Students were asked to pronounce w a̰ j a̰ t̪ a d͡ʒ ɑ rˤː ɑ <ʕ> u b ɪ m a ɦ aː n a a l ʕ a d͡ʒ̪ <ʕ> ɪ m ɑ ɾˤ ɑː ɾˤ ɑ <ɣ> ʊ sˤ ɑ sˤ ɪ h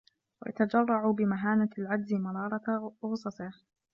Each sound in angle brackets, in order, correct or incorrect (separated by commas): correct, incorrect, correct